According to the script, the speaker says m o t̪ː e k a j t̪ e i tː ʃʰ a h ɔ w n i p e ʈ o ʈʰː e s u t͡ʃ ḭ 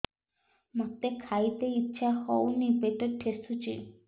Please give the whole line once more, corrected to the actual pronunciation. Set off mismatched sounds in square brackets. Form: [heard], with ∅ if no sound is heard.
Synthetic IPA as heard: m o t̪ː e [kʰ] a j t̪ e i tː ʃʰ a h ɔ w n i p e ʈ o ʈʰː e s u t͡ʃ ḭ

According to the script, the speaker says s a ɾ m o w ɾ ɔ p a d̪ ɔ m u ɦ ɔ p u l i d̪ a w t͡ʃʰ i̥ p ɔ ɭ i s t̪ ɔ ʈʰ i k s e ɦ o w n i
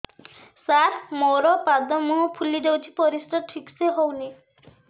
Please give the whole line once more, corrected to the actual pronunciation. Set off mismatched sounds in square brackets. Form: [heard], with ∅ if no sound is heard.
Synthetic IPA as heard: s a ɾ m o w ɾ ɔ p a d̪ ɔ m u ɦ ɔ [pʰ] u l i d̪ [e] w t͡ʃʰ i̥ p ɔ [ɾ] i s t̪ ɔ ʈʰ i k s e ɦ o w n i

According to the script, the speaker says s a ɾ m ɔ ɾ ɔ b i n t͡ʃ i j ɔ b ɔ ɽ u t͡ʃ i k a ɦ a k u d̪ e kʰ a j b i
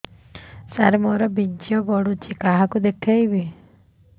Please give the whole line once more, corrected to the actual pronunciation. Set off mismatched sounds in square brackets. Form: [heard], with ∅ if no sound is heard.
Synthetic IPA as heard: s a ɾ m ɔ ɾ ɔ b i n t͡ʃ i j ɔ b ɔ ɽ u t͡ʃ i k a ɦ a k u d̪ e kʰ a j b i

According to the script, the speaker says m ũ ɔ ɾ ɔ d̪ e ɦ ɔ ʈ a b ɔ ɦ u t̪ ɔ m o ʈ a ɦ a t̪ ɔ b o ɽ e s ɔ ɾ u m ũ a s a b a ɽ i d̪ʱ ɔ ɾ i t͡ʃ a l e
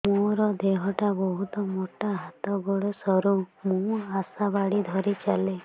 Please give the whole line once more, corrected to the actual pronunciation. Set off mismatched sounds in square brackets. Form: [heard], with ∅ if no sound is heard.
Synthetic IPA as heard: m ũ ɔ ɾ ɔ d̪ e ɦ ɔ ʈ a b ɔ ɦ u t̪ ɔ m o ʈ a ɦ a t̪ ɔ [ɡ] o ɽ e s ɔ ɾ u m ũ a s a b a ɽ i d̪ʱ ɔ ɾ i t͡ʃ a l e

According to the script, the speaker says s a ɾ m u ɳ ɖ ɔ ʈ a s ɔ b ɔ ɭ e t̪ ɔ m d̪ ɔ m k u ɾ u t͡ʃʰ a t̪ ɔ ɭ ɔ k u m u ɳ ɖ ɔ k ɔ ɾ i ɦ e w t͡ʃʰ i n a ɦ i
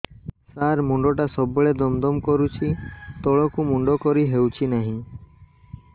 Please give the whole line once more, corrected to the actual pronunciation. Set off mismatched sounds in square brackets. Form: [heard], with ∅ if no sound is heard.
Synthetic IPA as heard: s a ɾ m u ɳ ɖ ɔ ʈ a s ɔ b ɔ ɭ e [d̪] ɔ m d̪ ɔ m k [ɔ] ɾ u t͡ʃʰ [i] t̪ ɔ ɭ ɔ k u m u ɳ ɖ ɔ k ɔ ɾ i ɦ e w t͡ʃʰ i n a ɦ [ĩ]

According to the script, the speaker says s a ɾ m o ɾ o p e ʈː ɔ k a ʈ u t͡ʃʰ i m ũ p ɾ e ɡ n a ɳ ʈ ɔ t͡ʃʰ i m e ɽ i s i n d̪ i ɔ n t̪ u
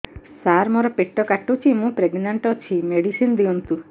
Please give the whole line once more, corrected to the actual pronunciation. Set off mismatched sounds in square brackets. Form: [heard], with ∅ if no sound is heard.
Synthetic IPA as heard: s a ɾ m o ɾ [ɔ] p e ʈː ɔ k a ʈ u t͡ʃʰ i m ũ p ɾ e ɡ n a ɳ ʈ ɔ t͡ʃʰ i m e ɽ i s i n d̪ i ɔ n t̪ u

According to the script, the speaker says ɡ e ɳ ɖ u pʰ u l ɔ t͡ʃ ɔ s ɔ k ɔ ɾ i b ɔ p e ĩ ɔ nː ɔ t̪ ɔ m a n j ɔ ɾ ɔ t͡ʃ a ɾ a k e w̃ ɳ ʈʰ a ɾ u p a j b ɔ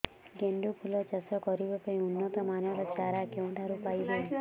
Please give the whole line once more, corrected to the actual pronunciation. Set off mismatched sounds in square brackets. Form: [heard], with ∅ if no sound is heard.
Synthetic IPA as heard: ɡ e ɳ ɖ u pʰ u l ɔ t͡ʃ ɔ s ɔ k ɔ ɾ i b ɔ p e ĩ [u] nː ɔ t̪ ɔ m a n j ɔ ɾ ɔ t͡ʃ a ɾ a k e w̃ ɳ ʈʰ a ɾ u p a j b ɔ

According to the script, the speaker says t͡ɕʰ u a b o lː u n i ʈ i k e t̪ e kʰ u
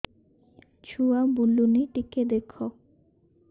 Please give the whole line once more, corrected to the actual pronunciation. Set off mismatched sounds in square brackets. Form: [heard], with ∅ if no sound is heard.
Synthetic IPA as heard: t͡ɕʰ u a b [u] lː u n i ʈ i k e [d̪] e kʰ [o]

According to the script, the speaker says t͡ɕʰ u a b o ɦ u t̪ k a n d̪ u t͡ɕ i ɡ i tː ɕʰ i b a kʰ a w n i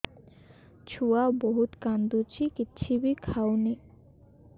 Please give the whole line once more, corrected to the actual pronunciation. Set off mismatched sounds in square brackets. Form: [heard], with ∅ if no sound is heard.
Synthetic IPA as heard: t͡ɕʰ u a b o ɦ u t̪ k a n d̪ u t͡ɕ i [k] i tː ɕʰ i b [i] kʰ a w n i

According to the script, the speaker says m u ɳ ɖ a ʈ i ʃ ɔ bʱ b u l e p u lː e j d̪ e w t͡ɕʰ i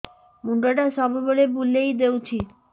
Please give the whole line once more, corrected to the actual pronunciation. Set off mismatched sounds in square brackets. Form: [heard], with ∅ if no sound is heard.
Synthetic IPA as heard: m u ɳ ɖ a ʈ [a] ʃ ɔ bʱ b [o] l e [b] u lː e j d̪ e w t͡ɕʰ i

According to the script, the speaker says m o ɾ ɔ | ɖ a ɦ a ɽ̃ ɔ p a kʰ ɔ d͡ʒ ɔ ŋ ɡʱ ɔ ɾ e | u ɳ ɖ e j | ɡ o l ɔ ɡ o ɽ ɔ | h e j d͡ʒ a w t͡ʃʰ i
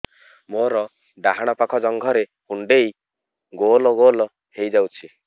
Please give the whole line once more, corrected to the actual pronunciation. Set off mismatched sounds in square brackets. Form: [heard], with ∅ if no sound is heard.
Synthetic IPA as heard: m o ɾ ɔ | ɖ a ɦ a ɽ̃ ɔ p a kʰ ɔ d͡ʒ ɔ ŋ ɡʱ ɔ ɾ e | u ɳ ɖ e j | ɡ o l ɔ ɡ o [l] ɔ | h e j d͡ʒ a w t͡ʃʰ i

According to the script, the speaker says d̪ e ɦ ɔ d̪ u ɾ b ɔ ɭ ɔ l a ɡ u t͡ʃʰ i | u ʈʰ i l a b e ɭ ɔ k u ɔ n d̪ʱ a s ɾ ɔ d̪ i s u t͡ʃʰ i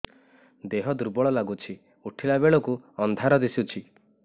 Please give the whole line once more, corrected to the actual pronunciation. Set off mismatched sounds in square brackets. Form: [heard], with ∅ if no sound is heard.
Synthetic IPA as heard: d̪ e ɦ ɔ d̪ u ɾ b ɔ ɭ ɔ l a ɡ u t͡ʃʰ i | u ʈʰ i l a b e ɭ ɔ k u ɔ n d̪ʱ a [∅] ɾ ɔ d̪ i s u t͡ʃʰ i

